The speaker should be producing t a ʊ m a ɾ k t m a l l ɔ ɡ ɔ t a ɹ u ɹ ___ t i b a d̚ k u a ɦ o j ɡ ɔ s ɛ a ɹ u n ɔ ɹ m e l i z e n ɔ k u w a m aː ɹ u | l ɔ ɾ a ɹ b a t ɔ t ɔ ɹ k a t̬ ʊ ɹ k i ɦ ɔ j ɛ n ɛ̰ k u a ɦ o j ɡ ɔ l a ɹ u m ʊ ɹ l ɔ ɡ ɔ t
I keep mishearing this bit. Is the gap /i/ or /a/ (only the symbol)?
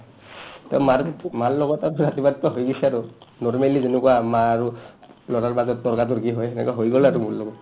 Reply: a